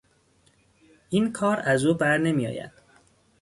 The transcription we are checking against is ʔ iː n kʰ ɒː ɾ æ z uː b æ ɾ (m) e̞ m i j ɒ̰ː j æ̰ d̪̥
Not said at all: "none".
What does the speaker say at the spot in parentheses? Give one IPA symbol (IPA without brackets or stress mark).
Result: n